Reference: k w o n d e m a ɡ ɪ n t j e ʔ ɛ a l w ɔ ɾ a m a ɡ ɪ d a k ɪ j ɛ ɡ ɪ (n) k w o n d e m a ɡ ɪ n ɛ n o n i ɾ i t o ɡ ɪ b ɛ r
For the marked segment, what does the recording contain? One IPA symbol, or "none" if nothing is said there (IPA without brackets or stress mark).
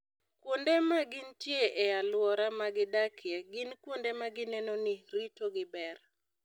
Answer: n